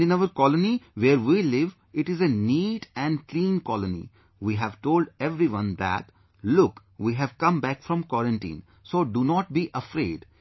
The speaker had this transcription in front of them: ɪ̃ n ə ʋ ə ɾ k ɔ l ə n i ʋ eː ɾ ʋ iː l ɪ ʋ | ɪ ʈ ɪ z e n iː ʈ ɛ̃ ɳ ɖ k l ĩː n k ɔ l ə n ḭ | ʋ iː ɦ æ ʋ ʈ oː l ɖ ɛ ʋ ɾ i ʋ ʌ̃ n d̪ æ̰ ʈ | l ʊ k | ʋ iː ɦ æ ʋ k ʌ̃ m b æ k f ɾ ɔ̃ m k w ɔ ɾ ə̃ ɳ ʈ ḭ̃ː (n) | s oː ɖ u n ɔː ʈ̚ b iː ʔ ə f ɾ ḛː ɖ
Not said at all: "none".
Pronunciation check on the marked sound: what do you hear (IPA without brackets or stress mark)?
n